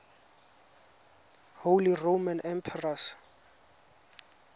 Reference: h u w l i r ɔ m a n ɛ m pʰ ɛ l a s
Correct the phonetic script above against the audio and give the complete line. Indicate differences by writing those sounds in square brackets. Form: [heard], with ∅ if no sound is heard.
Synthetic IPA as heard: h [o] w l i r [o] m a n ɛ m pʰ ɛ [r] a s